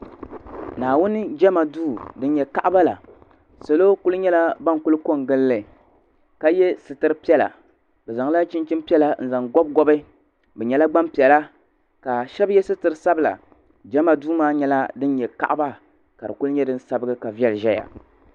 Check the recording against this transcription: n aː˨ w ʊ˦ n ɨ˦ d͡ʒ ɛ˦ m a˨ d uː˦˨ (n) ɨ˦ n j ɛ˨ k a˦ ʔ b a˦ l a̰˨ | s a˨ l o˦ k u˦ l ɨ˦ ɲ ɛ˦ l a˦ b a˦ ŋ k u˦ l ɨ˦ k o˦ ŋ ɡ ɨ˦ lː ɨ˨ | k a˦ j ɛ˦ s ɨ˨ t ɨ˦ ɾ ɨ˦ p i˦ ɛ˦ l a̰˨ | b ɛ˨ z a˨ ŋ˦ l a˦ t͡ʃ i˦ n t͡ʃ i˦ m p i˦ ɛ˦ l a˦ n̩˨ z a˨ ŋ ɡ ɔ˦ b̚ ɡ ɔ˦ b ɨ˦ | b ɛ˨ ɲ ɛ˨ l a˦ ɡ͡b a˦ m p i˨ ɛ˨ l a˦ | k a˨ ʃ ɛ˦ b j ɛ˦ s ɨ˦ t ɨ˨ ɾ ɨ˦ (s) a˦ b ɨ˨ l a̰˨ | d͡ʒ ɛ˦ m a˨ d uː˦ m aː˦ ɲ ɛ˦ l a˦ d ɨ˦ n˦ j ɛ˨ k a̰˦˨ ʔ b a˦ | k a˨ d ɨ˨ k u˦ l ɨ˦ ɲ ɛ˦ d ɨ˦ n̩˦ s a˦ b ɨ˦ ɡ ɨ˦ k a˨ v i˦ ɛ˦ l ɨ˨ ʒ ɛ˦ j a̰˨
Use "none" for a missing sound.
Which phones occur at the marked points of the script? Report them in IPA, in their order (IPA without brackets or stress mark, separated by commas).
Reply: d, s